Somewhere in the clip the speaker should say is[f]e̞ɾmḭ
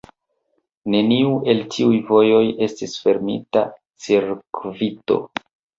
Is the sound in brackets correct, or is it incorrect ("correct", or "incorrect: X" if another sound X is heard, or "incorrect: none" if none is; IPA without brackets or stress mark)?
correct